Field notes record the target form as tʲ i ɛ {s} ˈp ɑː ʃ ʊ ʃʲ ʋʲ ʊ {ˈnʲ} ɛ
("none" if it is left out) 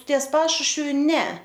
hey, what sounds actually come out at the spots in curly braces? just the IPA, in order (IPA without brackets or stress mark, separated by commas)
s, nʲ